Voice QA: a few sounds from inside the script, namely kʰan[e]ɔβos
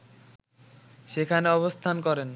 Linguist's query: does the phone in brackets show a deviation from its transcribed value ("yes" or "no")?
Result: no